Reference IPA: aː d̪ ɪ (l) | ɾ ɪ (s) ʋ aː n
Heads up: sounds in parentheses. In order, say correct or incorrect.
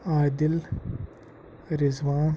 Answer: correct, incorrect

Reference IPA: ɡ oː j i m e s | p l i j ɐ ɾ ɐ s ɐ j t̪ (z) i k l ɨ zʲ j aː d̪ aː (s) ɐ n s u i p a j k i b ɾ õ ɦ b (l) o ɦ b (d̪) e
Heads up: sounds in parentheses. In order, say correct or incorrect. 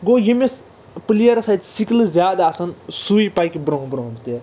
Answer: incorrect, correct, incorrect, incorrect

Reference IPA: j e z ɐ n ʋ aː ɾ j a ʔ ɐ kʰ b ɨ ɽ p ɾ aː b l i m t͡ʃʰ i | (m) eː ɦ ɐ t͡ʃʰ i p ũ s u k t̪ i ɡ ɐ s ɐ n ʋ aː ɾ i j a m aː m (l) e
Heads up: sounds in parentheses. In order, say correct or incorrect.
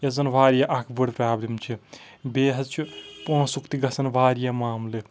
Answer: incorrect, correct

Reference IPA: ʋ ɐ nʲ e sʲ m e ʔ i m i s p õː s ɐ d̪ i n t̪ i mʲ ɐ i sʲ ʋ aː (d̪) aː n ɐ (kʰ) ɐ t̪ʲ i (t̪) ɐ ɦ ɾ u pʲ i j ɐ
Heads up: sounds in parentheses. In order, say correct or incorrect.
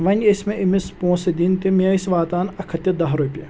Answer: incorrect, correct, incorrect

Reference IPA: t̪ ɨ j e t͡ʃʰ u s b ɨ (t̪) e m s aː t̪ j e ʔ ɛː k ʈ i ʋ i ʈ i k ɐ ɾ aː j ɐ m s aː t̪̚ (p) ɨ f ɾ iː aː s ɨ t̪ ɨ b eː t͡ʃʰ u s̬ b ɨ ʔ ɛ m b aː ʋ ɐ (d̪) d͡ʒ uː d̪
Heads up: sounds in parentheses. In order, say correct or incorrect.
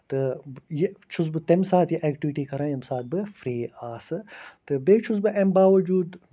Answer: correct, incorrect, incorrect

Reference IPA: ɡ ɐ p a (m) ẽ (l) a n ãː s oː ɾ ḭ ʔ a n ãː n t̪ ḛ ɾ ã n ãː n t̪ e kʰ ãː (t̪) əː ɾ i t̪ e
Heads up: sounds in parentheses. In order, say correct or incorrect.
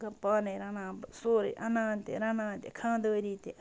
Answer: incorrect, incorrect, incorrect

